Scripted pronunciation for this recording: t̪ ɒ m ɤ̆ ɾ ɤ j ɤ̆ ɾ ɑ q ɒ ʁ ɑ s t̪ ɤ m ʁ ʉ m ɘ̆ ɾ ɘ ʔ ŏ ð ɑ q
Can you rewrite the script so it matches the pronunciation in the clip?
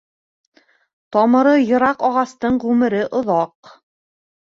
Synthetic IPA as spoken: t̪ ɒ m ɤ̆ ɾ ɤ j ɤ̆ ɾ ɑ q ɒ ʁ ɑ s t̪ ɤ ɴ ʁ ʉ m ɘ̆ ɾ ɘ ʔ ŏ ð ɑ q